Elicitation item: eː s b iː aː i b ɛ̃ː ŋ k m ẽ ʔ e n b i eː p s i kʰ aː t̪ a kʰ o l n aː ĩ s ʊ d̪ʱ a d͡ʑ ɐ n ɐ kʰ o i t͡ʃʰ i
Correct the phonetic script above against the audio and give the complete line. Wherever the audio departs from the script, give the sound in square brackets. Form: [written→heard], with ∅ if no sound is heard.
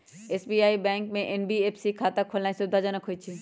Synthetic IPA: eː s b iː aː i b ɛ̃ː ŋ k m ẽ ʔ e n b i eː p s i kʰ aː t̪ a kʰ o l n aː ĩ s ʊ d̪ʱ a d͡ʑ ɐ n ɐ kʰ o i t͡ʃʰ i